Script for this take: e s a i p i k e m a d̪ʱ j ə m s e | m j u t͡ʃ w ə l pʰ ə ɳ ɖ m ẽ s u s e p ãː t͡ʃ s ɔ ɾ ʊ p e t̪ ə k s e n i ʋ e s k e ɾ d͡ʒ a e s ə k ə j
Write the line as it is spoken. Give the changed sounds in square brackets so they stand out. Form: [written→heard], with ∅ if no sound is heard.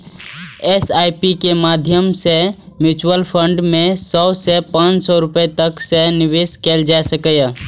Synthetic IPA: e s a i p i k e m a d̪ʱ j ə m s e | m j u t͡ʃ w ə l pʰ ə ɳ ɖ m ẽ s [u→ɔ] s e p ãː t͡ʃ s ɔ ɾ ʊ p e t̪ ə k s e n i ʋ e s k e [ɾ→l] d͡ʒ a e s ə k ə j